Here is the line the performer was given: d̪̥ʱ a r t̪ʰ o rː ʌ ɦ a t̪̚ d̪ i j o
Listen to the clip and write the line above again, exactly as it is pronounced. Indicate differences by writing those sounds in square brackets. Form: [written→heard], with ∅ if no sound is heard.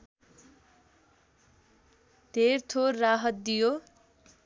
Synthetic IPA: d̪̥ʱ [a→e] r t̪ʰ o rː [ʌ→a] ɦ [a→ʌ] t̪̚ d̪ i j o